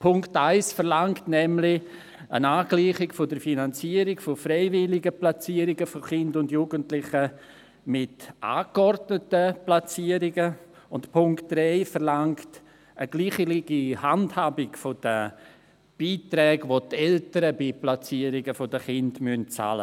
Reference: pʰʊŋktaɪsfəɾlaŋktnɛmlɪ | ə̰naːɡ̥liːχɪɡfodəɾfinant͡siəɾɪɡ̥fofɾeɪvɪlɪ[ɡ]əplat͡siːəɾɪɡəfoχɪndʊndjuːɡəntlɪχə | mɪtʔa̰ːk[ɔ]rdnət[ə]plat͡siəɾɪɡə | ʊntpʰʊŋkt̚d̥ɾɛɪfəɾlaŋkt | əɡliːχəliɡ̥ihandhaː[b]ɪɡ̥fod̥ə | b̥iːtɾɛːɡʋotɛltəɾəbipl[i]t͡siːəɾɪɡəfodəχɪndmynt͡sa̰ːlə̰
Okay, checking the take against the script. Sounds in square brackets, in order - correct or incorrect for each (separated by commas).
correct, correct, correct, correct, incorrect